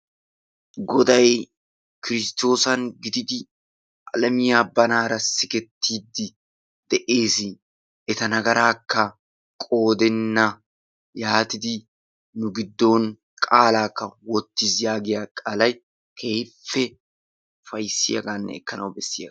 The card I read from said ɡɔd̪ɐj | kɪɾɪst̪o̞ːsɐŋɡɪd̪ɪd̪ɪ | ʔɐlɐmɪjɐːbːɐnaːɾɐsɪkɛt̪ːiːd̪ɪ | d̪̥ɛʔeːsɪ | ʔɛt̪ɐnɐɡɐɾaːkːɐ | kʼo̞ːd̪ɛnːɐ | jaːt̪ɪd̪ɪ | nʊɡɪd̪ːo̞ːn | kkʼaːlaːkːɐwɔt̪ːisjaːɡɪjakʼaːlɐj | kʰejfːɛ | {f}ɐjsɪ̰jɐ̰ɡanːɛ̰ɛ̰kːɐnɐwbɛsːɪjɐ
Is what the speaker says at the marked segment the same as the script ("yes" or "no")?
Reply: yes